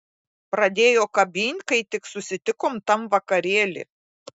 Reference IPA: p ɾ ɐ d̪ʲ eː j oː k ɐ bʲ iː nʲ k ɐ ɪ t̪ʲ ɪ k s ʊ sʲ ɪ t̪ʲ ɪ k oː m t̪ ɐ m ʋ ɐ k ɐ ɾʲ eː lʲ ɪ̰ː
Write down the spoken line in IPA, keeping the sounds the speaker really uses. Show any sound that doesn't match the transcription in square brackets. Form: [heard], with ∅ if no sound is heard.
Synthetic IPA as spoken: p ɾ ɐ d̪ʲ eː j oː k ɐ bʲ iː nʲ k ɐ ɪ t̪ʲ ɪ k s ʊ sʲ ɪ t̪ʲ ɪ k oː m t̪ ɐ m ʋ ɐ k ɐ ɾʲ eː lʲ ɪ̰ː

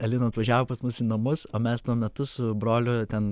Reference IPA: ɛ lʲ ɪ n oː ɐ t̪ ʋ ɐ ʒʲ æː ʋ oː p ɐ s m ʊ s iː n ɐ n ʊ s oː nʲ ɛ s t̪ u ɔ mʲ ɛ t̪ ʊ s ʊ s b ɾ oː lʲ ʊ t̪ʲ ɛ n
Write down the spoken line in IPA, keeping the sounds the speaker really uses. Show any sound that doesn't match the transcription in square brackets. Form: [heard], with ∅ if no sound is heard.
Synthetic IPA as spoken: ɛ lʲ ɪ n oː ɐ t̪ ʋ ɐ ʒʲ æː ʋ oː p ɐ s m ʊ s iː n ɐ [m] ʊ s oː [mʲ] ɛ s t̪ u ɔ mʲ ɛ t̪ ʊ s ʊ [∅] b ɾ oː lʲ ʊ t̪ʲ ɛ n

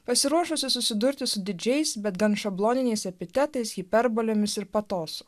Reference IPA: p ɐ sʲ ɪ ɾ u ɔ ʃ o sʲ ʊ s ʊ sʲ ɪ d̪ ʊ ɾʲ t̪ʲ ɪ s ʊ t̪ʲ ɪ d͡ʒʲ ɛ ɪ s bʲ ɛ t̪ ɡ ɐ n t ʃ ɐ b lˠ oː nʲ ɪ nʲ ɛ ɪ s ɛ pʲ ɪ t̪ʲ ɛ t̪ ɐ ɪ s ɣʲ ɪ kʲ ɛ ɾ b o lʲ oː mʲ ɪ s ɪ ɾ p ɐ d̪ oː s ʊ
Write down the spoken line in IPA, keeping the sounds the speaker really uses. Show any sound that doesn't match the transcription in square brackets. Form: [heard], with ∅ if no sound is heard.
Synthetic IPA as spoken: p ɐ sʲ ɪ ɾ u ɔ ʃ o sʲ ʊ s ʊ sʲ ɪ d̪ ʊ ɾʲ t̪ʲ ɪ s ʊ [d̪ʲ] ɪ d͡ʒʲ ɛ ɪ s bʲ ɛ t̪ ɡ ɐ n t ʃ ɐ b lˠ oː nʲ ɪ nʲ ɛ ɪ s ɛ pʲ ɪ t̪ʲ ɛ t̪ ɐ ɪ s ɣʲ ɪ [pʲ] ɛ ɾ b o lʲ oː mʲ ɪ s ɪ ɾ p ɐ [t̪] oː s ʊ

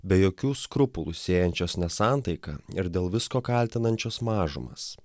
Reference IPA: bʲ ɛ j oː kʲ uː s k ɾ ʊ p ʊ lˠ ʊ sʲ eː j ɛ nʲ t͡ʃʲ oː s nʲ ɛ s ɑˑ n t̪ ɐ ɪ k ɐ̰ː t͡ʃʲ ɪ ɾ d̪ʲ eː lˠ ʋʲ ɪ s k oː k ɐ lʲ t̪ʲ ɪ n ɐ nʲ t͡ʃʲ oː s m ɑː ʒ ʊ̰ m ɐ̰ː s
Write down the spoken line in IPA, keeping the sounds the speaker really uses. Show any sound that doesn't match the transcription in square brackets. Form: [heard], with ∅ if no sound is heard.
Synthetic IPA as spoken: bʲ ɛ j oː kʲ uː s k ɾ ʊ p ʊ lˠ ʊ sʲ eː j ɛ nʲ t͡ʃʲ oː s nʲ ɛ s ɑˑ n t̪ ɐ ɪ k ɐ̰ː [∅] ɪ ɾ d̪ʲ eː lˠ ʋʲ ɪ s k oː k ɐ lʲ t̪ʲ ɪ n ɐ nʲ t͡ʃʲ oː s m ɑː ʒ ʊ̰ m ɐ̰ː s

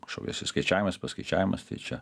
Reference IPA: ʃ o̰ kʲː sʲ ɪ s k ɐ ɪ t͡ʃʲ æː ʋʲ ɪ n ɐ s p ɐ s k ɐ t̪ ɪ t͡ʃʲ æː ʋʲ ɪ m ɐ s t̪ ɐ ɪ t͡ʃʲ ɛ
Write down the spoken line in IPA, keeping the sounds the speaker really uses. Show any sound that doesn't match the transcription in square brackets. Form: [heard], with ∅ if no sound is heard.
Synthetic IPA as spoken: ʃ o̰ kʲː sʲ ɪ s k ɐ ɪ t͡ʃʲ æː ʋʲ ɪ [m] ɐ s p ɐ s k ɐ [∅] ɪ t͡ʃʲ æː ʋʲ ɪ m ɐ s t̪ ɐ ɪ t͡ʃʲ ɛ

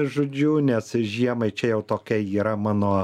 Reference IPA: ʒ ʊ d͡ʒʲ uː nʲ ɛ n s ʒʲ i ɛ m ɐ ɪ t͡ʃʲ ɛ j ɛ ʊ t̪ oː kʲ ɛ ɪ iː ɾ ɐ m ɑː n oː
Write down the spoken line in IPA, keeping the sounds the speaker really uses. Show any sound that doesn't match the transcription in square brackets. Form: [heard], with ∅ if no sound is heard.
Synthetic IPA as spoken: ʒ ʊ d͡ʒʲ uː nʲ ɛ [∅] s ʒʲ i ɛ m ɐ ɪ t͡ʃʲ ɛ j ɛ ʊ t̪ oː kʲ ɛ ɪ iː ɾ ɐ m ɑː n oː

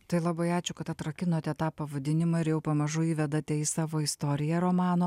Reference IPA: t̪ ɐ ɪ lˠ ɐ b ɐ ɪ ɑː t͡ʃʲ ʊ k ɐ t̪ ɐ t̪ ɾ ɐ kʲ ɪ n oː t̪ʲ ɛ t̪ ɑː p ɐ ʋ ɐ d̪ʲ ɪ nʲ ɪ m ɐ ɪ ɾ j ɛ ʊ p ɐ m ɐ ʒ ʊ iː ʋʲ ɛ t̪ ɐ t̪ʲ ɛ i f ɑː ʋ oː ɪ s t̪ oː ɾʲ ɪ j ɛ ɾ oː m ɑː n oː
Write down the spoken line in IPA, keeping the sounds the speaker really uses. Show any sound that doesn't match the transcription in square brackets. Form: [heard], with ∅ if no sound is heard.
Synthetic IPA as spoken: t̪ ɐ ɪ lˠ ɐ b ɐ ɪ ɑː t͡ʃʲ ʊ k ɐ t̪ ɐ t̪ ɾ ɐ kʲ ɪ n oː t̪ʲ ɛ t̪ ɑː p ɐ ʋ ɐ d̪ʲ ɪ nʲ ɪ m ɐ ɪ ɾ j ɛ ʊ p ɐ m ɐ ʒ ʊ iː ʋʲ ɛ [d̪] ɐ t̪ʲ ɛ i [s] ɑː ʋ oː ɪ s t̪ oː ɾʲ ɪ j ɛ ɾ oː m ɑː n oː

